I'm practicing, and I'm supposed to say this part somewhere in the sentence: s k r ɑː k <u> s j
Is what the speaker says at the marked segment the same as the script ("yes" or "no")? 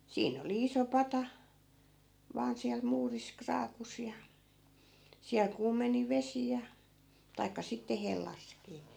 yes